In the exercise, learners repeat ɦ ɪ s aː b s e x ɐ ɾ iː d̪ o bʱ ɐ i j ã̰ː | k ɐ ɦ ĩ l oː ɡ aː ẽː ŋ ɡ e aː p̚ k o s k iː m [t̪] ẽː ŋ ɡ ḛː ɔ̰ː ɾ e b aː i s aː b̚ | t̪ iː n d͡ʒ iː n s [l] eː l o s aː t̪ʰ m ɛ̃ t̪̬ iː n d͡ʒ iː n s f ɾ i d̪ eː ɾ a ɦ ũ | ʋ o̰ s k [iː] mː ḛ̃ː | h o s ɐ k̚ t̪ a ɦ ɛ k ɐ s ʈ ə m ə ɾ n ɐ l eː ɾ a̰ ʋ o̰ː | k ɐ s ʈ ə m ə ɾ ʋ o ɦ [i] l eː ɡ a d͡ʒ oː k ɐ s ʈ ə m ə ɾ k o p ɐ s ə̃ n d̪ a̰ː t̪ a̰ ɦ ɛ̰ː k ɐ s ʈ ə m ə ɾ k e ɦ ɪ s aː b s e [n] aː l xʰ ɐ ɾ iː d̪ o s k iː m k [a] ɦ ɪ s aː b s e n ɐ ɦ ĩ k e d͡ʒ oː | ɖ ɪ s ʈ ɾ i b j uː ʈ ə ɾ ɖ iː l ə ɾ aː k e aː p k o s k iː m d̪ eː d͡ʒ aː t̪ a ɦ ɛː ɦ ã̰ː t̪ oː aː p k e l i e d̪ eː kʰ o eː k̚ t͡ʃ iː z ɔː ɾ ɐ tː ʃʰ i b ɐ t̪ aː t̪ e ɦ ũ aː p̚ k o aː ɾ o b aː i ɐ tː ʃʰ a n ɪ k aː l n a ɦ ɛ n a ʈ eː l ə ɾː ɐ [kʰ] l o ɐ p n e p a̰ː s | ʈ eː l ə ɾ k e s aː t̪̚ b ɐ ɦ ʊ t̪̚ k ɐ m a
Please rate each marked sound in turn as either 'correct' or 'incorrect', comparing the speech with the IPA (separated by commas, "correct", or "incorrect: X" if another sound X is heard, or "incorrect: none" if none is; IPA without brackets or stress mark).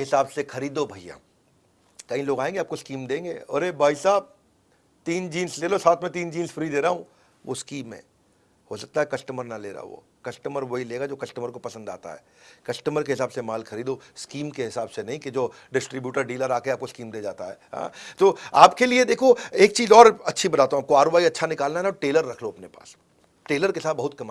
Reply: incorrect: d̪, correct, correct, correct, incorrect: m, incorrect: e, correct